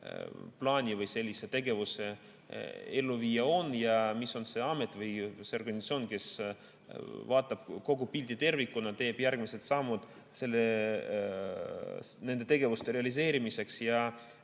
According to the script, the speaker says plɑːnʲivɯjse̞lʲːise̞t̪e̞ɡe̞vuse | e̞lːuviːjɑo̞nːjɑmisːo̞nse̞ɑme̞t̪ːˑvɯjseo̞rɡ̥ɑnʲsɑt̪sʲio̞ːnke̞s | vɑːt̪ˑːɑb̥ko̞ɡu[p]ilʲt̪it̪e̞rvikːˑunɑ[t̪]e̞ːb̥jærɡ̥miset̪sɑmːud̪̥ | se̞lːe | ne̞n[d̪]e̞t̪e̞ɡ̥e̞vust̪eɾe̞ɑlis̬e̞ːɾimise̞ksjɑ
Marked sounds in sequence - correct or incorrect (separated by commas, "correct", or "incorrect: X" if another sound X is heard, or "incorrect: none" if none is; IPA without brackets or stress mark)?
correct, correct, correct